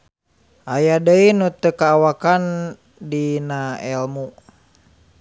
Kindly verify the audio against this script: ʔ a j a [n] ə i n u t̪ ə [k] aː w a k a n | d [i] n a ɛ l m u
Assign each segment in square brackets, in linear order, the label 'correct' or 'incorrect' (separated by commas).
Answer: incorrect, correct, correct